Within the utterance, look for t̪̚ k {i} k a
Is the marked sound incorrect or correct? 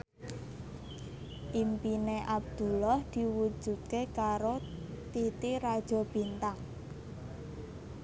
incorrect